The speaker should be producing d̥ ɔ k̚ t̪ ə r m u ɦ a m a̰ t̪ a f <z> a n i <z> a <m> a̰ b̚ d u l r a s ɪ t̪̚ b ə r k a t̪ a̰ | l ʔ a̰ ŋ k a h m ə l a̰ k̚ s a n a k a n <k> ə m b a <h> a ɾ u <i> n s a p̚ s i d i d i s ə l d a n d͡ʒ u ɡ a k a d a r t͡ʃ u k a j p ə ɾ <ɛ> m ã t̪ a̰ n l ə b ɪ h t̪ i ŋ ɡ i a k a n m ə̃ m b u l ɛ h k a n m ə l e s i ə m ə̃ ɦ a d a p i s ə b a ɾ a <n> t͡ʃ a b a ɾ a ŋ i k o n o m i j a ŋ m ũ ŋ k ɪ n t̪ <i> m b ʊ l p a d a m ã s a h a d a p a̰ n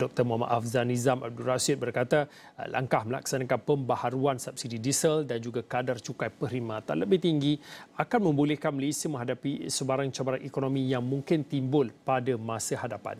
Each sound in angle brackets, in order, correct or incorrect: correct, correct, correct, incorrect, correct, incorrect, incorrect, incorrect, correct

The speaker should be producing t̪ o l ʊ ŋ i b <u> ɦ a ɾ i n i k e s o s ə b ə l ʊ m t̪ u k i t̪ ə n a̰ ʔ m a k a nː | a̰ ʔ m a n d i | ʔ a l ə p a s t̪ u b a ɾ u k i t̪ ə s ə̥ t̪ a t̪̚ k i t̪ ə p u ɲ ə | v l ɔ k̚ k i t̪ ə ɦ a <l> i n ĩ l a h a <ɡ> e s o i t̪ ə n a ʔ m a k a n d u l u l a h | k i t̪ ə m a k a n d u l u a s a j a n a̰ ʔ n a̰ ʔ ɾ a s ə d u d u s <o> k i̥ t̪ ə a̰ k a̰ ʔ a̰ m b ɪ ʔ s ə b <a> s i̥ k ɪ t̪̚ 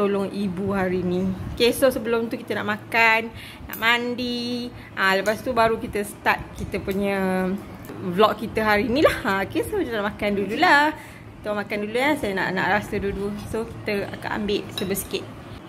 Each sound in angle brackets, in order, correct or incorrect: correct, incorrect, incorrect, correct, incorrect

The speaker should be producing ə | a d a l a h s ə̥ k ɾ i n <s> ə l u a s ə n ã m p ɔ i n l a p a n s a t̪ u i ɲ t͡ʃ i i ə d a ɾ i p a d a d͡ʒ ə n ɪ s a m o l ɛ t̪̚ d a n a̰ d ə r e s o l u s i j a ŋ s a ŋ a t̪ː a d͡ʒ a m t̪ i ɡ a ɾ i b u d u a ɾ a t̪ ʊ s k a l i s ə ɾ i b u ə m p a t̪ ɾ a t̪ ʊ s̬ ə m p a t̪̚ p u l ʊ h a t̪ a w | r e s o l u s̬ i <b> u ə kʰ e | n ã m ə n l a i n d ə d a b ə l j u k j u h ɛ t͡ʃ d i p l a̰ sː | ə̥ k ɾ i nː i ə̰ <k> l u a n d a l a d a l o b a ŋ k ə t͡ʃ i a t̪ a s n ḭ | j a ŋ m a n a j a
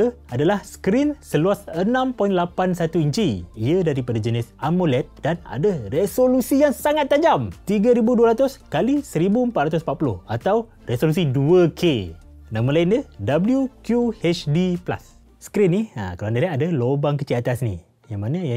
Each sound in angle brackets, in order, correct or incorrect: correct, incorrect, correct

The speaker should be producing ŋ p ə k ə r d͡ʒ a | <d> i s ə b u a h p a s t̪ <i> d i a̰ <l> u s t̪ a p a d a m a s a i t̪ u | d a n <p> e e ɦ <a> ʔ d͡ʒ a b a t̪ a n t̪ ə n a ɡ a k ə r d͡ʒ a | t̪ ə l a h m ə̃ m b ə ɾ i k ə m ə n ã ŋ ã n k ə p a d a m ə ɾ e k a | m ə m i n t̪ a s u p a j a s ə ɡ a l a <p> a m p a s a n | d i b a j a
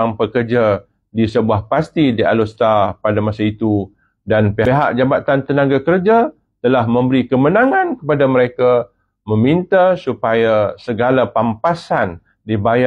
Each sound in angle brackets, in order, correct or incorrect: correct, correct, correct, correct, correct, correct

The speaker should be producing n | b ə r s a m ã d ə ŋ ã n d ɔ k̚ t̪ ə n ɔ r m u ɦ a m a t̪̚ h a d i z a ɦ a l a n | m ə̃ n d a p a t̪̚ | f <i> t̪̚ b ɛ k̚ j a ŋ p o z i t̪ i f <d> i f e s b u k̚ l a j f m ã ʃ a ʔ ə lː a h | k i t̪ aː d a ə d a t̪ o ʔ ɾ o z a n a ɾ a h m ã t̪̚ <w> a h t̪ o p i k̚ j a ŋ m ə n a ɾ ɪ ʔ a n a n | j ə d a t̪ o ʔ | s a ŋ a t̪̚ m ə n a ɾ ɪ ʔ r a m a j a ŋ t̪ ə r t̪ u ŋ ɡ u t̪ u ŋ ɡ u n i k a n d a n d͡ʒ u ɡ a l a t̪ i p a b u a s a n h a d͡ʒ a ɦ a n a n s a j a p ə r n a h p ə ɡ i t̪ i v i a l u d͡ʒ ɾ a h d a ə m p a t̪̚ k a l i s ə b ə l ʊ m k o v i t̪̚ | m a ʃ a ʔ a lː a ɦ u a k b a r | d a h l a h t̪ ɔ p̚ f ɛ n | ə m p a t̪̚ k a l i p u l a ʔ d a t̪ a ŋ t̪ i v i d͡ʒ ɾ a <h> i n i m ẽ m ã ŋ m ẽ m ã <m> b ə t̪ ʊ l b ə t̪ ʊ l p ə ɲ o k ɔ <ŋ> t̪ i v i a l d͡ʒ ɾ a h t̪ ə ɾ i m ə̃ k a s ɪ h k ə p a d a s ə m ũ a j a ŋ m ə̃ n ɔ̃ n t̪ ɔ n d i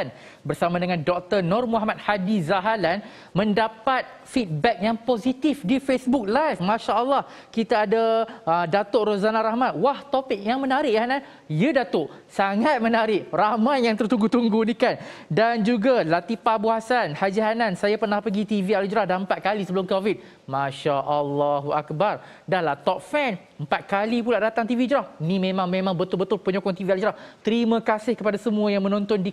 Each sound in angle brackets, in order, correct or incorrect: correct, correct, correct, correct, incorrect, correct

